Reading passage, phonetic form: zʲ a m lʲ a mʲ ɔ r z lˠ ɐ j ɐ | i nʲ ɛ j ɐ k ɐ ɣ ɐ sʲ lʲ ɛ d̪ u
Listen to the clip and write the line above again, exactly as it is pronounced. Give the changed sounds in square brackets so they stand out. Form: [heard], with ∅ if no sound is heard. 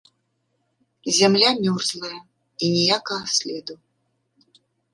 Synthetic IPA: zʲ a m lʲ a mʲ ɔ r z lˠ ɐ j ɐ | i nʲ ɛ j [a] k ɐ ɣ ɐ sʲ lʲ ɛ d̪ u